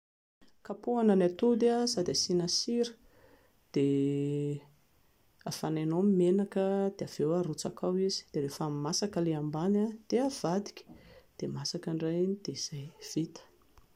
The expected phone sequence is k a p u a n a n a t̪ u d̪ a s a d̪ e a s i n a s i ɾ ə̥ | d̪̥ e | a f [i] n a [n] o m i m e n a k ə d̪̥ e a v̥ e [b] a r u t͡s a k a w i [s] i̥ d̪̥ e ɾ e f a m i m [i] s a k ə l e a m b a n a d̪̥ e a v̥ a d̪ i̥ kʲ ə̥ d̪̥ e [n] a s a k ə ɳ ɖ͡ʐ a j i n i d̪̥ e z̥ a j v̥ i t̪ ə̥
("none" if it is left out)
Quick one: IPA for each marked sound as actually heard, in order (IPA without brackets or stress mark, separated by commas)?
a, n, w, z, a, m